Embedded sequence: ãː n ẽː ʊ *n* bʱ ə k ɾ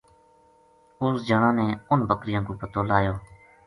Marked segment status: correct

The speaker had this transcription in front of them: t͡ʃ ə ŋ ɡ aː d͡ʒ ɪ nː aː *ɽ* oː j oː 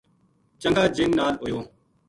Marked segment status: incorrect: l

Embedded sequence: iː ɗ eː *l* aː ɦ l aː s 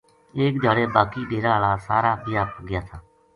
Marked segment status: incorrect: ɾ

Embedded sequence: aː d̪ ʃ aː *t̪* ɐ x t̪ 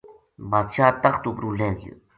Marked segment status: correct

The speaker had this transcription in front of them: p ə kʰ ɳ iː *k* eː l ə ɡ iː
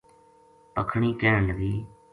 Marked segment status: correct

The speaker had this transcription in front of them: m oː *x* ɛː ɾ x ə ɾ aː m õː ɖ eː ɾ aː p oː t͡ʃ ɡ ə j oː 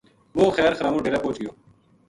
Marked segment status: correct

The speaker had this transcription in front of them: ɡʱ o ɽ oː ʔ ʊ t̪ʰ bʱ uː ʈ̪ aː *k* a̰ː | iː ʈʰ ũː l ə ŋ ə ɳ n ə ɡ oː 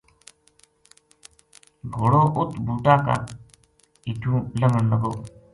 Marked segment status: correct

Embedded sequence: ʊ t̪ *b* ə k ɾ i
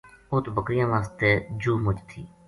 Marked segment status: correct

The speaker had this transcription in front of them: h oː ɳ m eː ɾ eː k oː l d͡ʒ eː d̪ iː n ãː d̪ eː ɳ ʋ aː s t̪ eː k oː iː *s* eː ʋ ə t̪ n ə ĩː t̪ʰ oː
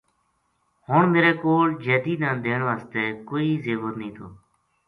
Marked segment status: incorrect: z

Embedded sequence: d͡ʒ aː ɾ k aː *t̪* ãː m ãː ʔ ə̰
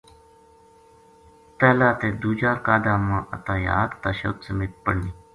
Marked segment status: incorrect: d̪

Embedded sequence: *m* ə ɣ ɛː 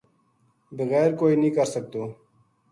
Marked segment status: incorrect: b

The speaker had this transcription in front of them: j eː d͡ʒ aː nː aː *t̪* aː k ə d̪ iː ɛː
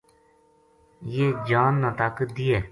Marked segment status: correct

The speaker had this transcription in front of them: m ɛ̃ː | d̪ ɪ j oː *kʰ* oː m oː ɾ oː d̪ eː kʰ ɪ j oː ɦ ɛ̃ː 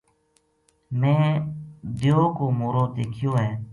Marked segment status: incorrect: k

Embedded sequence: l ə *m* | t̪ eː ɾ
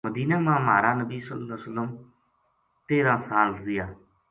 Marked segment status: correct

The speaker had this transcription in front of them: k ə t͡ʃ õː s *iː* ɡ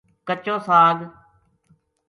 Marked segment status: incorrect: aː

